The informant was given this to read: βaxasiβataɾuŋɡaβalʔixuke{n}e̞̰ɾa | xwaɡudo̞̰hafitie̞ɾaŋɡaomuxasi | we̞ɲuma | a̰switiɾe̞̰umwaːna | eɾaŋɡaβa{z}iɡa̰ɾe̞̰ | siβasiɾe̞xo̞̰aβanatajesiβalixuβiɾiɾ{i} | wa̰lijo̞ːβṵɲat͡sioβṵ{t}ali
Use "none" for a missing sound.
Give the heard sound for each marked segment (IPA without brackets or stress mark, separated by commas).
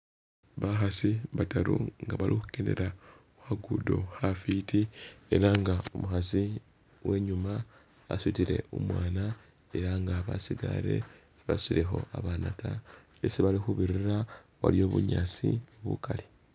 n, s, a, k